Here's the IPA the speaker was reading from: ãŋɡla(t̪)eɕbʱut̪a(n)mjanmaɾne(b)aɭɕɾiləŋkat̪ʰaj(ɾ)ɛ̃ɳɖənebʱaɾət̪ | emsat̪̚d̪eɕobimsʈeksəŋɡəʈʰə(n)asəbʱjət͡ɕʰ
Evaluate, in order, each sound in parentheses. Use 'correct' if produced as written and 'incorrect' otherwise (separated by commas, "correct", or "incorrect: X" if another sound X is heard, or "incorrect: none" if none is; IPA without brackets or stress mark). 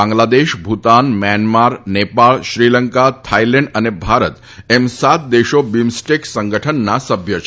incorrect: d̪, correct, incorrect: p, incorrect: l, incorrect: nː